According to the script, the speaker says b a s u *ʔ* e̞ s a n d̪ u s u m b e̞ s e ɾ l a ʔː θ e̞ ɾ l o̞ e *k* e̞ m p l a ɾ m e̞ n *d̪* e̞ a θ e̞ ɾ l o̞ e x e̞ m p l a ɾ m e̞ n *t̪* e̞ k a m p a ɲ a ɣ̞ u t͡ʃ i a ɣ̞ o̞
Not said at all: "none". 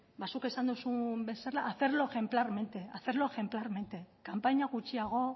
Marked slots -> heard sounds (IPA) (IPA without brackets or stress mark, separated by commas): k, x, t̪, t̪